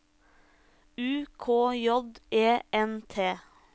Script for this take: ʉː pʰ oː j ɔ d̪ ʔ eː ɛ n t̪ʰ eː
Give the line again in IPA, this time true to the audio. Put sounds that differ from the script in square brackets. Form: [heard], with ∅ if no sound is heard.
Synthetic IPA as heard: ʉː [kʰ] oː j ɔ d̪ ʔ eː ɛ n t̪ʰ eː